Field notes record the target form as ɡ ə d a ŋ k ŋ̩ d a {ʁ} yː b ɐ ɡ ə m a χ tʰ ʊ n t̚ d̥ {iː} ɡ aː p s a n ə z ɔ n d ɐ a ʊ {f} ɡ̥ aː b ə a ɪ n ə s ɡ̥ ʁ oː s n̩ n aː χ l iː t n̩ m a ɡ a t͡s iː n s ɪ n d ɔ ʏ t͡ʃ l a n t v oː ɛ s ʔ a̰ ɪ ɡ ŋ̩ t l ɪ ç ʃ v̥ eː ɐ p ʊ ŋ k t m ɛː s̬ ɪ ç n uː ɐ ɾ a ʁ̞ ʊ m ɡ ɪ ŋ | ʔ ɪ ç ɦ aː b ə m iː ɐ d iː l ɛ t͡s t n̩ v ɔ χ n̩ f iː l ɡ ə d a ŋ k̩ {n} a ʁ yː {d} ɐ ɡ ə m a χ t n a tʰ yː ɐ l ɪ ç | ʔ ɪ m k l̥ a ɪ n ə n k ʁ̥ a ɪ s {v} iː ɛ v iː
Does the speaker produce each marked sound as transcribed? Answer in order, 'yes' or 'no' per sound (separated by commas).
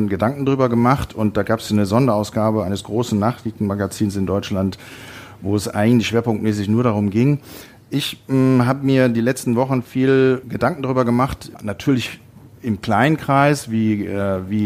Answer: yes, no, no, no, no, yes